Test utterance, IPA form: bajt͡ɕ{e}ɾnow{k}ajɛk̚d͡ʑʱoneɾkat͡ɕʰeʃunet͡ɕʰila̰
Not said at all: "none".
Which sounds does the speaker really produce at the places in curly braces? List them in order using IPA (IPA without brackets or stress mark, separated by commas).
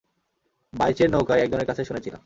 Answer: e, k